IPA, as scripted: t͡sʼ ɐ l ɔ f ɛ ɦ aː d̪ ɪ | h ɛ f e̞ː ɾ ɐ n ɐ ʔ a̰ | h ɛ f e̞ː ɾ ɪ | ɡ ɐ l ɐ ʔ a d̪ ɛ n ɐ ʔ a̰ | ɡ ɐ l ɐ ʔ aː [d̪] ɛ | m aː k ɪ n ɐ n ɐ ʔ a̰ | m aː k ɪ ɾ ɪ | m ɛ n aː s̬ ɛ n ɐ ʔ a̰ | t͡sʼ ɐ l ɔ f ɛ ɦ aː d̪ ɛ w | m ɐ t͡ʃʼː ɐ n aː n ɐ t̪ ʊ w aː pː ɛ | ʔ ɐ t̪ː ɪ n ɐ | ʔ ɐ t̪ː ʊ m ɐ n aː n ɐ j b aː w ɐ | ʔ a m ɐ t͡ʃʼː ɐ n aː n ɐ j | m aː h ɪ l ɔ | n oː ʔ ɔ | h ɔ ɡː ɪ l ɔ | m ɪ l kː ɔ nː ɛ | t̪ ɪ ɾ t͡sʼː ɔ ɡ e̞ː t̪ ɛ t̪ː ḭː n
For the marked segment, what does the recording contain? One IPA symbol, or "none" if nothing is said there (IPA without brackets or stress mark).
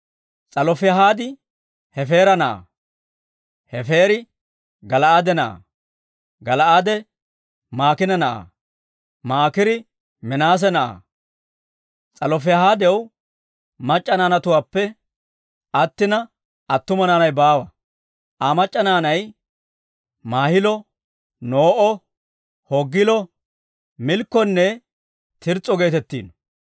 d̪